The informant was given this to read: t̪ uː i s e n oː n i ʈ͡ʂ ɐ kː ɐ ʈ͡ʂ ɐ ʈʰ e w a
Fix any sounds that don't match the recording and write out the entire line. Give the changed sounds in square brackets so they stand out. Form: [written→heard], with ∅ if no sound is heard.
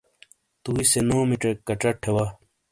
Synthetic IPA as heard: t̪ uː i s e n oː [n→m] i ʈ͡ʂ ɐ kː ɐ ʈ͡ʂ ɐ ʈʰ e w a

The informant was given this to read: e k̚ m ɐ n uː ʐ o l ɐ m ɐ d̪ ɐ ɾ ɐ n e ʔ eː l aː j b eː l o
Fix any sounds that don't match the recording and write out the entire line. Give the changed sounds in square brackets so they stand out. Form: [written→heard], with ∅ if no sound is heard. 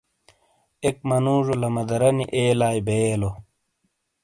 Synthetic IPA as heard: e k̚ m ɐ n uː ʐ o l ɐ m ɐ d̪ ɐ ɾ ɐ n [e→i] ʔ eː l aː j b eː l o

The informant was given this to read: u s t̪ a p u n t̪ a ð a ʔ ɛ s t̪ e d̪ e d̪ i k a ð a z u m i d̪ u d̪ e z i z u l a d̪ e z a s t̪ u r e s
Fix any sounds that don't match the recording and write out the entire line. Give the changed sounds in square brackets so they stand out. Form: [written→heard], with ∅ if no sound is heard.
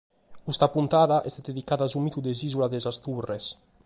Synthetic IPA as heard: u s t̪ a p u n t̪ a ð a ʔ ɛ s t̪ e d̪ e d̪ i k a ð a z u m i [d̪→t̪] u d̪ e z i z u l a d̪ e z a s t̪ u r e s

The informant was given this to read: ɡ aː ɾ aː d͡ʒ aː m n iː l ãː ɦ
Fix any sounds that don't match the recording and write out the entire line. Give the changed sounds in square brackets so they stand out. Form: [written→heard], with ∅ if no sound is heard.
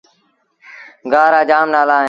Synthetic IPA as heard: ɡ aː ɾ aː d͡ʒ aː m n [iː→aː] l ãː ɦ

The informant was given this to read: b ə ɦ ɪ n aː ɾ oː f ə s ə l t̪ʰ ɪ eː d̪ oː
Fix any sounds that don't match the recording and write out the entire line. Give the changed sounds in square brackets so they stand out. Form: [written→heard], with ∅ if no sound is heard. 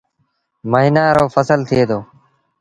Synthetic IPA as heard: [b→m] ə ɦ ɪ n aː ɾ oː f ə s ə l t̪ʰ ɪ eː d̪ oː

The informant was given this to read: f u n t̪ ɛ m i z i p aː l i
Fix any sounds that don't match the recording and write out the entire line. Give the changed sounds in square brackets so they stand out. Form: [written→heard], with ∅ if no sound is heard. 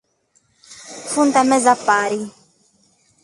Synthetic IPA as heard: f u n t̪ [ɛ→a] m [i→ɛ] z [i→a] p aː [l→ɾ] i

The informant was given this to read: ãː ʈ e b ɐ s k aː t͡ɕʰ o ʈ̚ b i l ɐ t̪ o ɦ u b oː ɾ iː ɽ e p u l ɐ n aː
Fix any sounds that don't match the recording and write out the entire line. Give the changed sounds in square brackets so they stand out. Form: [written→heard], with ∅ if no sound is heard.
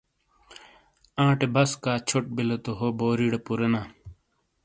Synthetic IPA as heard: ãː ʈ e b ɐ s k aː t͡ɕʰ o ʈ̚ b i l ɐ t̪ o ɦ [u→o] b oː ɾ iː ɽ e p u [l→ɾ] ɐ n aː

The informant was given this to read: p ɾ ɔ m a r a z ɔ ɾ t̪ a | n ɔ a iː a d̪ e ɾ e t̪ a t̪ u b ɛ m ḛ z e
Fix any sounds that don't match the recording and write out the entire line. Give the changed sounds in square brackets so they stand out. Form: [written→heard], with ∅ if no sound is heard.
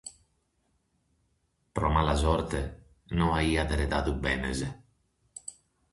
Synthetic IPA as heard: p ɾ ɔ m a [r→l] a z ɔ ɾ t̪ [a→e] | n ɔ a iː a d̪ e ɾ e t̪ a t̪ u b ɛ [m→n] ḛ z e

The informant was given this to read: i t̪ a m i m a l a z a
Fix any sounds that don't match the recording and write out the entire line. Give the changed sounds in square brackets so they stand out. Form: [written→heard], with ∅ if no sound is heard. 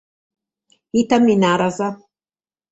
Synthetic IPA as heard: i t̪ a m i [m→n] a [l→ɾ] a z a

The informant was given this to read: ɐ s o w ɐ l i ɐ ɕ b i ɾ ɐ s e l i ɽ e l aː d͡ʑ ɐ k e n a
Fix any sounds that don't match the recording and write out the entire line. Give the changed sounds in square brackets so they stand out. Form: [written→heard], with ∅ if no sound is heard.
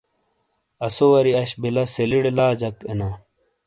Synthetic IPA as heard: ɐ s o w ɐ [l→ɾ] i ɐ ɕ b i [ɾ→l] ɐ s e l i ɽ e l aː d͡ʑ ɐ k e n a

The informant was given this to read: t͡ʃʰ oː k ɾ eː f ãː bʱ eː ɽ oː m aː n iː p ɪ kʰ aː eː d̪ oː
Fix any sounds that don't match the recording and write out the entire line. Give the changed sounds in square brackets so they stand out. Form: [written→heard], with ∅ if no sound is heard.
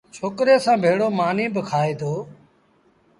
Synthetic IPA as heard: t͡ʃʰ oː k ɾ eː [f→s] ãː bʱ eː ɽ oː m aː n iː [p→b] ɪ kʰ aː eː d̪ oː

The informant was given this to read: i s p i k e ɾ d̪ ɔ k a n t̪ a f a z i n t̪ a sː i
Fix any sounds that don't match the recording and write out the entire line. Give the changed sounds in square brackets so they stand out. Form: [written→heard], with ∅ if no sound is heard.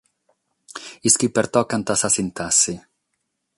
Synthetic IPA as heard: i s [p→k] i [k→p] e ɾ [d̪→t̪] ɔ k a n t̪ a [f→s] a [z→s] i n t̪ a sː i

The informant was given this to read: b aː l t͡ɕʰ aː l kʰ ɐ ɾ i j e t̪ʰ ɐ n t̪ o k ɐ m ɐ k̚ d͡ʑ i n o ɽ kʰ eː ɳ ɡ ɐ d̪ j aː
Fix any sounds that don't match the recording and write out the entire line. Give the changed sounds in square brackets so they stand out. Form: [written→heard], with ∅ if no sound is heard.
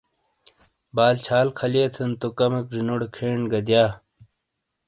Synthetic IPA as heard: b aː l t͡ɕʰ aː l kʰ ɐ [ɾ→l] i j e t̪ʰ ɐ n t̪ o k ɐ m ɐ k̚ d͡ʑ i n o ɽ kʰ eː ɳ ɡ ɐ d̪ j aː

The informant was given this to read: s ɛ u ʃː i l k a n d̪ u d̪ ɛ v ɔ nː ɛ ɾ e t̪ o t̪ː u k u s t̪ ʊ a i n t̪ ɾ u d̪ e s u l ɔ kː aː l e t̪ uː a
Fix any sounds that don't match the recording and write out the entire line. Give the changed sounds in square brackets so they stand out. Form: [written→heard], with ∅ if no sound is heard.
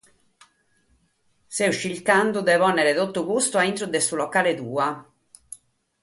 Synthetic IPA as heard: s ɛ u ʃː i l k a n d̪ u d̪ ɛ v ɔ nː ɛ ɾ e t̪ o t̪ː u k u s t̪ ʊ a i n t̪ ɾ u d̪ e s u l ɔ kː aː l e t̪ uː a

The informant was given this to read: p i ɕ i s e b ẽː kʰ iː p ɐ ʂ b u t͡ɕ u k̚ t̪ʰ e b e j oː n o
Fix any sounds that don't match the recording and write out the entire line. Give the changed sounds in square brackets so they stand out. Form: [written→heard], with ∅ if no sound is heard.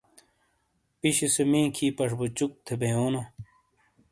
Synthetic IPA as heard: p i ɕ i s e [b→m] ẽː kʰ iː p ɐ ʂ b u t͡ɕ u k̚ t̪ʰ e b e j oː n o

